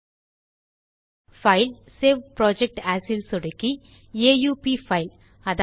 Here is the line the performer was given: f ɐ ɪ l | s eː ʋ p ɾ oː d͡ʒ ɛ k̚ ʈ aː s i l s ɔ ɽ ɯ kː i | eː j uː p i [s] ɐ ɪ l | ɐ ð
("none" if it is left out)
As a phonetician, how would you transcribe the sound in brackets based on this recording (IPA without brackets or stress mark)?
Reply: f